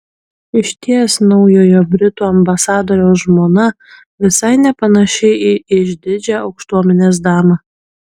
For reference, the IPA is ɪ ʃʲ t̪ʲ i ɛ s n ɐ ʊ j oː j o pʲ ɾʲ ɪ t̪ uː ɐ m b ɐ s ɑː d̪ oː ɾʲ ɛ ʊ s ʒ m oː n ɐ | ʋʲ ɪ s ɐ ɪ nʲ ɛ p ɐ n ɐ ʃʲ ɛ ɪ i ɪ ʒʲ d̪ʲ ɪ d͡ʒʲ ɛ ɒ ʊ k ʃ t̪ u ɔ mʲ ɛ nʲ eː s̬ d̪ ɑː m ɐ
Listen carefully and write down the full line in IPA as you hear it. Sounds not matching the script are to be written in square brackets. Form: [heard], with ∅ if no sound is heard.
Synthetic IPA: ɪ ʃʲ t̪ʲ i ɛ s n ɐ ʊ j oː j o [bʲ] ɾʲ ɪ t̪ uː ɐ m b ɐ s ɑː d̪ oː ɾʲ ɛ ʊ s ʒ m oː n ɐ | ʋʲ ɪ s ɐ ɪ nʲ ɛ p ɐ n ɐ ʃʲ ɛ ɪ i ɪ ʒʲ d̪ʲ ɪ d͡ʒʲ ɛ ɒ ʊ k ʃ t̪ u ɔ mʲ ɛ nʲ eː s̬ d̪ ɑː m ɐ

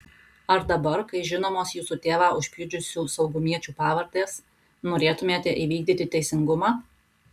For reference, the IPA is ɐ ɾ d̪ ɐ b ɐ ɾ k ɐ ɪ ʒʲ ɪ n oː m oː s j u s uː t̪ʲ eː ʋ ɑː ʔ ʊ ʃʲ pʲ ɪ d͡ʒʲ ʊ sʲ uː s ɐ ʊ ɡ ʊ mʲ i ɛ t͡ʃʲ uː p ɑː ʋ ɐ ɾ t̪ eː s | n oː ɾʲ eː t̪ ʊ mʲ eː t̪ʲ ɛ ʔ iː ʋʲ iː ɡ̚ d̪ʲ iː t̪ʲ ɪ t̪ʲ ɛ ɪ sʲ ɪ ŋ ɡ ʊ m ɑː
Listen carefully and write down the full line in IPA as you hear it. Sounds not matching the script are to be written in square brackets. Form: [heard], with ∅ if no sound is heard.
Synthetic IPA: ɐ ɾ d̪ ɐ b ɐ ɾ k ɐ ɪ ʒʲ ɪ n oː m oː s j [uː] s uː t̪ʲ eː ʋ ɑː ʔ ʊ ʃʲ pʲ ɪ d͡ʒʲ ʊ sʲ uː s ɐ ʊ ɡ ʊ mʲ i ɛ t͡ʃʲ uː p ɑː ʋ ɐ ɾ t̪ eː s | n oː ɾʲ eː t̪ ʊ mʲ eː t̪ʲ ɛ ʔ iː ʋʲ iː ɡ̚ d̪ʲ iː t̪ʲ ɪ t̪ʲ ɛ ɪ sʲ ɪ ŋ ɡ ʊ m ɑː

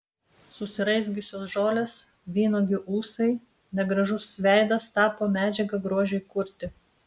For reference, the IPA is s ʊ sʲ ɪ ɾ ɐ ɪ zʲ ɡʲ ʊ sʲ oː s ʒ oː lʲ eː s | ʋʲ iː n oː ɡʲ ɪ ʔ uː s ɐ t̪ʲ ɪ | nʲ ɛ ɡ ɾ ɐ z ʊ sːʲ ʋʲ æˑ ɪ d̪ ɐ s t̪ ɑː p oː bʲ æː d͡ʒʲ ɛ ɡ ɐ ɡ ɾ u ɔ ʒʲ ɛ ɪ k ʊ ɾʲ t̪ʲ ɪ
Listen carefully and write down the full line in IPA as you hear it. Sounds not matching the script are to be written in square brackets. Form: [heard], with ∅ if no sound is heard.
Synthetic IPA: s ʊ sʲ ɪ ɾ ɐ ɪ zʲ ɡʲ ʊ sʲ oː s ʒ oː lʲ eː s | ʋʲ iː n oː ɡʲ ɪ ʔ uː s ɐ [∅] ɪ | nʲ ɛ ɡ ɾ ɐ [ʒ] ʊ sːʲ ʋʲ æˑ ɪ d̪ ɐ s t̪ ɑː p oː [mʲ] æː d͡ʒʲ ɛ ɡ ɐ ɡ ɾ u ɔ ʒʲ ɛ ɪ k ʊ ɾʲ t̪ʲ ɪ

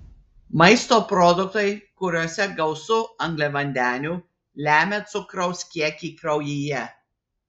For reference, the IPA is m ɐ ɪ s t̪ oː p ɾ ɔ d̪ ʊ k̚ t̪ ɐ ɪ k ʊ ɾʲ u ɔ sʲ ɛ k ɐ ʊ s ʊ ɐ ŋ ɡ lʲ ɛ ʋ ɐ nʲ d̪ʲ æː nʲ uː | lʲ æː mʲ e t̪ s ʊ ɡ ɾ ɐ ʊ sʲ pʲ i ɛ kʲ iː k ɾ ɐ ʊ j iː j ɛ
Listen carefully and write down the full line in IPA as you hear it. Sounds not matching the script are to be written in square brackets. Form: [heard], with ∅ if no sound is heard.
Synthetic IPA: m ɐ ɪ s t̪ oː p ɾ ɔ d̪ ʊ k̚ t̪ ɐ ɪ k ʊ ɾʲ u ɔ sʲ ɛ [ɡ] ɐ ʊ s ʊ ɐ ŋ ɡ lʲ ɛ ʋ ɐ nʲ d̪ʲ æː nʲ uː | lʲ æː mʲ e t̪ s ʊ [k] ɾ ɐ ʊ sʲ [kʲ] i ɛ kʲ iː k ɾ ɐ ʊ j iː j ɛ

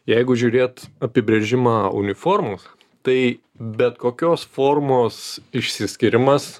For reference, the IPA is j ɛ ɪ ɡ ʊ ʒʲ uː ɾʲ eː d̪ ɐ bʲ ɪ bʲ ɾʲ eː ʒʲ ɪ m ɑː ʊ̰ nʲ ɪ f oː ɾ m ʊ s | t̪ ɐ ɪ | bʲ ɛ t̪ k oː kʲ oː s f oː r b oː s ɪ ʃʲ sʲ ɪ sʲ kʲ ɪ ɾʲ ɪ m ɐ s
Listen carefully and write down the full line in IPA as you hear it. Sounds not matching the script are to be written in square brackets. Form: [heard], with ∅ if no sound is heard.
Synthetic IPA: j ɛ ɪ ɡ ʊ ʒʲ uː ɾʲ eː [t̪] ɐ [pʲ] ɪ bʲ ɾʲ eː ʒʲ ɪ m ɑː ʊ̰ nʲ ɪ f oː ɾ m ʊ s | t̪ ɐ ɪ | bʲ ɛ t̪ k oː kʲ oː s f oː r [m] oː s ɪ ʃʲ sʲ ɪ sʲ kʲ ɪ ɾʲ ɪ m ɐ s

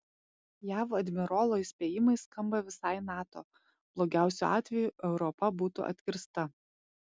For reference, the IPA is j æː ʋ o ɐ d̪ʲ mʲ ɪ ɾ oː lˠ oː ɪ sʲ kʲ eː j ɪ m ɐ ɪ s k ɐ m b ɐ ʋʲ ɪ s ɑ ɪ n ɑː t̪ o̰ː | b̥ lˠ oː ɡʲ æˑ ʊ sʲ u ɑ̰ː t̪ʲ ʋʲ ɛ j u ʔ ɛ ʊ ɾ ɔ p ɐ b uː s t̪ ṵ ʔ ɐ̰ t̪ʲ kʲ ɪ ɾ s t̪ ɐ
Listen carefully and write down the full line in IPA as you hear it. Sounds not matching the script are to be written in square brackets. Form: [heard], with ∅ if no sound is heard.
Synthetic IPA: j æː ʋ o ɐ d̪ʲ mʲ ɪ ɾ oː lˠ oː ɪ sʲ [pʲ] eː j ɪ m ɐ ɪ s k ɐ m b ɐ ʋʲ ɪ s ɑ ɪ n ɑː t̪ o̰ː | b̥ lˠ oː ɡʲ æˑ ʊ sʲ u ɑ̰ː t̪ʲ ʋʲ ɛ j u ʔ ɛ ʊ ɾ ɔ p ɐ b uː [∅] t̪ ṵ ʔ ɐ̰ t̪ʲ kʲ ɪ ɾ s t̪ ɐ

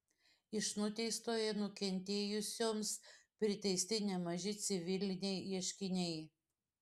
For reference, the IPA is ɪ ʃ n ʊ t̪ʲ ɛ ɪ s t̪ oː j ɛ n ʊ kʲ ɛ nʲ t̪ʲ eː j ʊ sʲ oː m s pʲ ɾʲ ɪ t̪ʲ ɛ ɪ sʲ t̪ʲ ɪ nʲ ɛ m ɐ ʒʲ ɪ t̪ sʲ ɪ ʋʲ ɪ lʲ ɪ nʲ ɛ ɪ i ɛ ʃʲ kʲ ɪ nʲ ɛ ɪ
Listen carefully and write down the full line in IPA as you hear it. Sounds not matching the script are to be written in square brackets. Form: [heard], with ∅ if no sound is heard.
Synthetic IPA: ɪ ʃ n ʊ t̪ʲ ɛ ɪ s t̪ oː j ɛ n ʊ kʲ ɛ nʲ t̪ʲ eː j ʊ sʲ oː m s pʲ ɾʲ ɪ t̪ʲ ɛ ɪ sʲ t̪ʲ ɪ nʲ ɛ m ɐ ʒʲ ɪ t̪ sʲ ɪ ʋʲ ɪ lʲ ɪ nʲ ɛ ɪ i ɛ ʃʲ kʲ ɪ nʲ ɛ ɪ

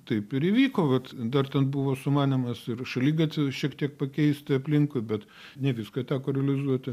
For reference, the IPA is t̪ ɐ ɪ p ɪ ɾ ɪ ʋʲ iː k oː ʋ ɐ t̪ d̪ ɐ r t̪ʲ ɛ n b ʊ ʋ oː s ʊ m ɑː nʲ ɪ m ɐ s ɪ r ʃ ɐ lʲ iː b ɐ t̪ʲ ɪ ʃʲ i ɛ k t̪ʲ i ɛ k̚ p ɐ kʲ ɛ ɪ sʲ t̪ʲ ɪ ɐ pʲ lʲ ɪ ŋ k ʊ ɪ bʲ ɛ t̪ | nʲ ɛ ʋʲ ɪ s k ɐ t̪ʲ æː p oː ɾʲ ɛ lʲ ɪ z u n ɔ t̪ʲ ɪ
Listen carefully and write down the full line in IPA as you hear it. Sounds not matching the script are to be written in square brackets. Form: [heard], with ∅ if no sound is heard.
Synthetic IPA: t̪ ɐ ɪ p ɪ ɾ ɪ ʋʲ iː k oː ʋ ɐ t̪ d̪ ɐ r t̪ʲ ɛ n b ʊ ʋ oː s ʊ m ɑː nʲ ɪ m ɐ s ɪ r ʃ ɐ lʲ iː [ɡ] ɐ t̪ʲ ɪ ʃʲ i ɛ k t̪ʲ i ɛ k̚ p ɐ kʲ ɛ ɪ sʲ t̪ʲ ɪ ɐ pʲ lʲ ɪ ŋ k ʊ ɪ bʲ ɛ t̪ | nʲ ɛ ʋʲ ɪ s k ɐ t̪ʲ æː [k] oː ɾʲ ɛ lʲ ɪ z u [∅] ɔ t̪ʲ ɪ

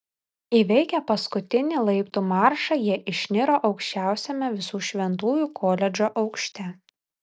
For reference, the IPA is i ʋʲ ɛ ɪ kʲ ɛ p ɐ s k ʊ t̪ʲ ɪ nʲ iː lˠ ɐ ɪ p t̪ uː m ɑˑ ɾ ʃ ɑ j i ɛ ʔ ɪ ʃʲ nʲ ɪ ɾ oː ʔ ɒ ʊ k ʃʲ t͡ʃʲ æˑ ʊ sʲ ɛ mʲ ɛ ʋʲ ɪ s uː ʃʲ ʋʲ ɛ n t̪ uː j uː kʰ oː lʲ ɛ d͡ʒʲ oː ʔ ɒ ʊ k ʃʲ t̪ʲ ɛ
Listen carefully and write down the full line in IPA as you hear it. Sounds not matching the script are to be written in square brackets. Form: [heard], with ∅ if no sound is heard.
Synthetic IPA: i ʋʲ ɛ ɪ kʲ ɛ p ɐ s k ʊ t̪ʲ ɪ nʲ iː lˠ ɐ ɪ p t̪ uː m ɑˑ ɾ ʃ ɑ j i ɛ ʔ ɪ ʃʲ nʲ ɪ ɾ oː ʔ ɒ ʊ k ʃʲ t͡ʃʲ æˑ ʊ sʲ ɛ mʲ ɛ ʋʲ ɪ s uː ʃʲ ʋʲ ɛ n t̪ uː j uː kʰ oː lʲ ɛ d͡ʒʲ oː ʔ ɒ ʊ k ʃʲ t̪ʲ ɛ

